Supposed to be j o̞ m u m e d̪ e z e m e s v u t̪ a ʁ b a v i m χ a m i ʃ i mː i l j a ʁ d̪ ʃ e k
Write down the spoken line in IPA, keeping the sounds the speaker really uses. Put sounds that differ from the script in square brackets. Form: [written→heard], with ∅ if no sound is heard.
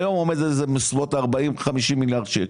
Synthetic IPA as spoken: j o̞ m [u→o] m e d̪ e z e m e s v [u→o] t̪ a ʁ b a [v→∅] i m χ a m i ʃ i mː i l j a ʁ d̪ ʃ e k